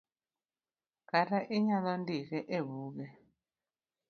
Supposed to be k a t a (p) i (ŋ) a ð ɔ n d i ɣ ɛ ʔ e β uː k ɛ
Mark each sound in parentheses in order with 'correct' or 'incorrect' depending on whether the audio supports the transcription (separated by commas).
incorrect, incorrect